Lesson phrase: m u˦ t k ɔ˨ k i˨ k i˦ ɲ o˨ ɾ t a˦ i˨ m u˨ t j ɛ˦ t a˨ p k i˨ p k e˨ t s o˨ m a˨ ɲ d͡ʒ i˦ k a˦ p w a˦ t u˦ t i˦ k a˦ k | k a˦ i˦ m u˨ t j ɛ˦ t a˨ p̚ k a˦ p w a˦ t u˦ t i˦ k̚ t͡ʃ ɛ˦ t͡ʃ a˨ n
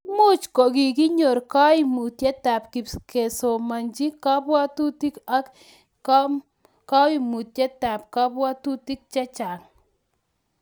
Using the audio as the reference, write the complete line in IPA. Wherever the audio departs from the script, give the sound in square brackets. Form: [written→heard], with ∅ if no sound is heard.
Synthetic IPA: m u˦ [t→t͡ʃ] k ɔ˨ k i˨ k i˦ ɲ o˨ ɾ [t→k] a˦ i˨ m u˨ t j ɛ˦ t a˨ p k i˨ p k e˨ [t→∅] s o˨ m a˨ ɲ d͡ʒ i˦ k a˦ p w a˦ t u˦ t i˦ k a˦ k | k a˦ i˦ m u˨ t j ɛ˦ t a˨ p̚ k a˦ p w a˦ t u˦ t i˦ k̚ t͡ʃ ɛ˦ t͡ʃ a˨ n